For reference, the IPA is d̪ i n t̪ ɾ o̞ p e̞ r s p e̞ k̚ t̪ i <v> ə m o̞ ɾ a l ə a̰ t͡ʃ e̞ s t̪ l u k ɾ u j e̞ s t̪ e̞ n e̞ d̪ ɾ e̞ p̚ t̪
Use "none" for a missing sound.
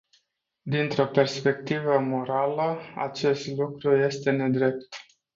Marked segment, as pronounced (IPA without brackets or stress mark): v